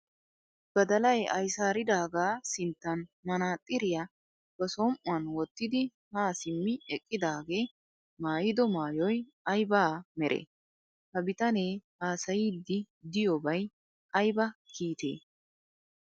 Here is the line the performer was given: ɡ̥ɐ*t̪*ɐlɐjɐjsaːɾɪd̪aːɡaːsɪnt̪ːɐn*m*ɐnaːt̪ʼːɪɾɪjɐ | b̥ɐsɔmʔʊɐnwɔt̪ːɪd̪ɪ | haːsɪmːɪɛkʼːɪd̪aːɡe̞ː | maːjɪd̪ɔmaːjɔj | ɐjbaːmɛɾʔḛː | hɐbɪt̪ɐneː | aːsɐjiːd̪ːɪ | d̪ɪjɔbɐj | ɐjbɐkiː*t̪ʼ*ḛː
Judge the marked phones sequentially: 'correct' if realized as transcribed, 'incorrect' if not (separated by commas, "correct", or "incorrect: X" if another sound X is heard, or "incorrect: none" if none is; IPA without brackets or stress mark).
incorrect: d̪, correct, incorrect: t̪